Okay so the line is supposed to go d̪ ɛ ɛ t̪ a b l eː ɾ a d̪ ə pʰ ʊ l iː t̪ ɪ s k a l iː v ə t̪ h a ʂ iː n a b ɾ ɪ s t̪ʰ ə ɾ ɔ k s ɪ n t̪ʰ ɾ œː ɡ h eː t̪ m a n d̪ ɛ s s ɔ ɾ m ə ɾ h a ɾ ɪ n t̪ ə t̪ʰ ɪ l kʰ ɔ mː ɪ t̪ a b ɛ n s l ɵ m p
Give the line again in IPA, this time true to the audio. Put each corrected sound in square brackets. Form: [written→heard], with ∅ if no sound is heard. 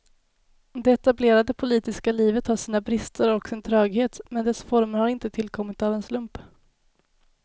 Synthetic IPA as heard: d̪ ɛ ɛ t̪ a b l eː ɾ a d̪ ə pʰ ʊ l iː t̪ ɪ s k a l iː v ə t̪ h a ʂ iː n a b ɾ ɪ s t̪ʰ ə ɾ ɔ k s ɪ n t̪ʰ ɾ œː ɡ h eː t̪ m [a→ɛ] n d̪ ɛ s [s→f] ɔ ɾ m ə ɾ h a ɾ ɪ n t̪ ə t̪ʰ ɪ l kʰ ɔ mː ɪ t̪ a [b→v] ɛ n s l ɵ m p